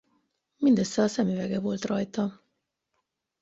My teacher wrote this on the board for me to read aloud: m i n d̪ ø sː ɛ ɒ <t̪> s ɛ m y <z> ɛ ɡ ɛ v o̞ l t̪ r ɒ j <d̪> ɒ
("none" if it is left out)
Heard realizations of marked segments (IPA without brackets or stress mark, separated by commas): none, v, t̪